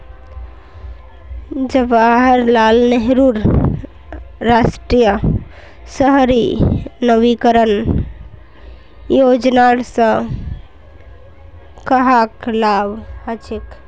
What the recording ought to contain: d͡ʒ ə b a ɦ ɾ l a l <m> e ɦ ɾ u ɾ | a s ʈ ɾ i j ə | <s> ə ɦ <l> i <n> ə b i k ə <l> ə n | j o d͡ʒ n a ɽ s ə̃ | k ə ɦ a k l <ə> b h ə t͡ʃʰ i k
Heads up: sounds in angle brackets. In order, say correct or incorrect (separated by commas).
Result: incorrect, correct, incorrect, correct, incorrect, incorrect